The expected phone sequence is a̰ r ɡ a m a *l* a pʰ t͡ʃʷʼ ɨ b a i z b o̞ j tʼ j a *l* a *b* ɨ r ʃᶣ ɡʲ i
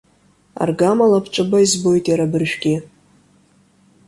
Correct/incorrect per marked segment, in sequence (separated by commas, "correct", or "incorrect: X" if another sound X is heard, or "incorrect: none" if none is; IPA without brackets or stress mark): correct, incorrect: ɾ, correct